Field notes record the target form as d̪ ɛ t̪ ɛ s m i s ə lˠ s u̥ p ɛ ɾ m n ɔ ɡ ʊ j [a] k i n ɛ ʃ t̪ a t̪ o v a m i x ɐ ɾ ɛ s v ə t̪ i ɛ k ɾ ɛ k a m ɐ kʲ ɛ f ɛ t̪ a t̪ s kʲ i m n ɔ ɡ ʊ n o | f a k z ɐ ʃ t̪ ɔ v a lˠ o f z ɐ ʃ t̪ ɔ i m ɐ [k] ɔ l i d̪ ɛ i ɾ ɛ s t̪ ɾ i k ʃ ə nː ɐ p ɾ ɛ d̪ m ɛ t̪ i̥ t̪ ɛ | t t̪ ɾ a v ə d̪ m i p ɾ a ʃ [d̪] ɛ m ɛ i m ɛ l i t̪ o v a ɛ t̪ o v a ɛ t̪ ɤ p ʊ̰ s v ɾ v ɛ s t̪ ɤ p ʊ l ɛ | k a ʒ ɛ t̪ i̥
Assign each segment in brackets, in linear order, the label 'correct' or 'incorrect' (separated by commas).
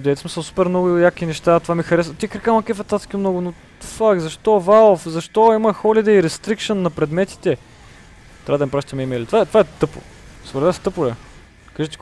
correct, incorrect, incorrect